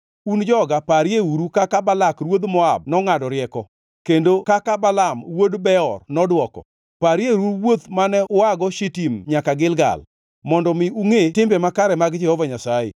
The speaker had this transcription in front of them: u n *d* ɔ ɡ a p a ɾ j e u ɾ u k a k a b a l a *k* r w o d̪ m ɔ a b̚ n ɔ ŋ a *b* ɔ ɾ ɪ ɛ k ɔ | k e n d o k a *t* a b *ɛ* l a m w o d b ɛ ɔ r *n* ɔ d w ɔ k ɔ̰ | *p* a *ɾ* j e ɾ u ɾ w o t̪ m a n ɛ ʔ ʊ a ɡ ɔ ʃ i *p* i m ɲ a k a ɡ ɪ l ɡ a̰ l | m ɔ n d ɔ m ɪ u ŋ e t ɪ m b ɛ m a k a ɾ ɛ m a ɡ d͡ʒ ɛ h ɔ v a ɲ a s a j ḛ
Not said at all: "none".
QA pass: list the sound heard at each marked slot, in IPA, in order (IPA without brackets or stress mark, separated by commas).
d͡ʒ, k, d, k, a, n, p, ɾ, t